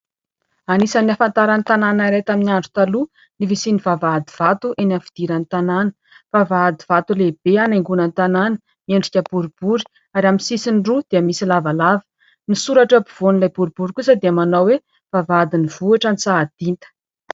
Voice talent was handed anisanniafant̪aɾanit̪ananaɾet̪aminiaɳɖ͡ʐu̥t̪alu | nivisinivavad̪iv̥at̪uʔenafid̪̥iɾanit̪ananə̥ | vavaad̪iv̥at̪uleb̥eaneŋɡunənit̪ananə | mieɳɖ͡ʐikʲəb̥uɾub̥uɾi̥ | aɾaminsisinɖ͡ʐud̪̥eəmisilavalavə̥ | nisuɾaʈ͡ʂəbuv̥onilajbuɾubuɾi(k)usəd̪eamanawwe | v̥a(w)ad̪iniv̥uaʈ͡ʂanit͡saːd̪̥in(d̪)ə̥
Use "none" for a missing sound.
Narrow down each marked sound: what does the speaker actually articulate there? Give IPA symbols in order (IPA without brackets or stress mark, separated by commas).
k, v, t̪